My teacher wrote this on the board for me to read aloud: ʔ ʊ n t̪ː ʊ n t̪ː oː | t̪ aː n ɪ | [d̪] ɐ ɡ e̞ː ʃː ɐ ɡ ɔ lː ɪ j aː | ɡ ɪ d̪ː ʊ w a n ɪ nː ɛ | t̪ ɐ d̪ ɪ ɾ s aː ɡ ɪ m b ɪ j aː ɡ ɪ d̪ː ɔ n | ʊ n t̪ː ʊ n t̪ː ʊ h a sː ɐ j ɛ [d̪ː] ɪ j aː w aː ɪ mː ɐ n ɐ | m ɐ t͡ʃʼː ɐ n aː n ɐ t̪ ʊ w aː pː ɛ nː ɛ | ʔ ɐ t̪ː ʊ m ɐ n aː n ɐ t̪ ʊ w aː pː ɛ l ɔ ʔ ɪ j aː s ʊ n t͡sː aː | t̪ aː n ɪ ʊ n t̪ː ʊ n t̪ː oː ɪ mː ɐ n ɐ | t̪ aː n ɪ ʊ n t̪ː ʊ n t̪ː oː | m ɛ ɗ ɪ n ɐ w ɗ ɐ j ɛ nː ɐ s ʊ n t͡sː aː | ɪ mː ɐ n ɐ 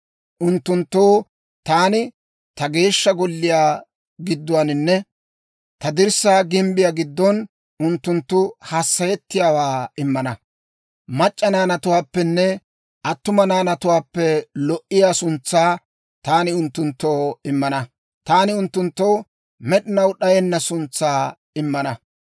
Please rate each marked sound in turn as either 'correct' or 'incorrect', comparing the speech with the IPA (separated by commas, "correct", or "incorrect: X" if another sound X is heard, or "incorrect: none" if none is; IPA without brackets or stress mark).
incorrect: t̪, incorrect: t̪ː